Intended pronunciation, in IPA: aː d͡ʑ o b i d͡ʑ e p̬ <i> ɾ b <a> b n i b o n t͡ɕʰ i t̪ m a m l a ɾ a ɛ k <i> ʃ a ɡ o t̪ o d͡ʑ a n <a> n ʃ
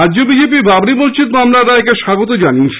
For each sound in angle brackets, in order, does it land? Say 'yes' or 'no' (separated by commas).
yes, yes, no, no